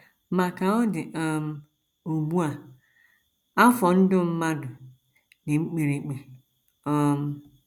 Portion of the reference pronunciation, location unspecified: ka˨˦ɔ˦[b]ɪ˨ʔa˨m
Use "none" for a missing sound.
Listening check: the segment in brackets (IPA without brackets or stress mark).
d